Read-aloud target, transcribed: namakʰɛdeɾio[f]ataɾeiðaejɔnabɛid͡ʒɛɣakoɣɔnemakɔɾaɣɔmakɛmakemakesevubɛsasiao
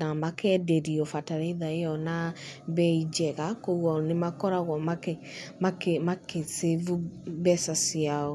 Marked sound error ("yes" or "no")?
no